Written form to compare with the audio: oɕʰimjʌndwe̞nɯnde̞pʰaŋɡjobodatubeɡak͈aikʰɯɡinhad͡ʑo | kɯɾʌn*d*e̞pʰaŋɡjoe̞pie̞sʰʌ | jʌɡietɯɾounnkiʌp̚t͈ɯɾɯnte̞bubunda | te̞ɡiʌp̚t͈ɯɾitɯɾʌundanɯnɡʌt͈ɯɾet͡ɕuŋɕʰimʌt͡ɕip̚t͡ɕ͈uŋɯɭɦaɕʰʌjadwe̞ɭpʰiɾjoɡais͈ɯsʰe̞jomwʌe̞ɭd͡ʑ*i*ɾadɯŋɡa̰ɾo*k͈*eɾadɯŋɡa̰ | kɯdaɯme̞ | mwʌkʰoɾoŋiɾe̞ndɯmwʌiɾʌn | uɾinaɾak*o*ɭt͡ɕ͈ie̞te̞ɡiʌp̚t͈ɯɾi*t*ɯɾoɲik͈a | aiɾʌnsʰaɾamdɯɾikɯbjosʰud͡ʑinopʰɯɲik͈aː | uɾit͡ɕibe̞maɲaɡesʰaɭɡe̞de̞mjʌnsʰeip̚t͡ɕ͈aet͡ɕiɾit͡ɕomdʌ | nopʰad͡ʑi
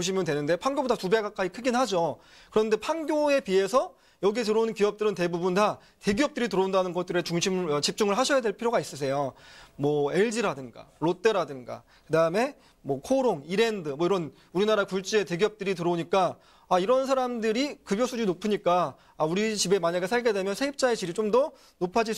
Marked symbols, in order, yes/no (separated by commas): yes, yes, no, no, yes